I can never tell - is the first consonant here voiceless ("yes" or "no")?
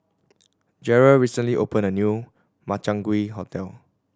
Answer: no